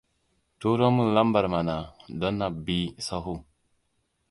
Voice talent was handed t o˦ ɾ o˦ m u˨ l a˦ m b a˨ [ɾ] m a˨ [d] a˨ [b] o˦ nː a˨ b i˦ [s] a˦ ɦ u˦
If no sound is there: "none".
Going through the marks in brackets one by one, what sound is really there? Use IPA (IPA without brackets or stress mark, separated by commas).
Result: ɾ, n, d, s